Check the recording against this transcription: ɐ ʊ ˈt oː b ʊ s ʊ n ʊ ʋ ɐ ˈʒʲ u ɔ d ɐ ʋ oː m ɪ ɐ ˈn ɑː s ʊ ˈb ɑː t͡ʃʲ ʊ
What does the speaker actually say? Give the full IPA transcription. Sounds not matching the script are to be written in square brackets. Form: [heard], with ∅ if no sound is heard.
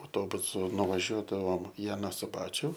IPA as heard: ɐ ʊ ˈt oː b ʊ s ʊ n ʊ ʋ ɐ ˈʒʲ u ɔ d ɐ ʋ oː m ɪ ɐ ˈn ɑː s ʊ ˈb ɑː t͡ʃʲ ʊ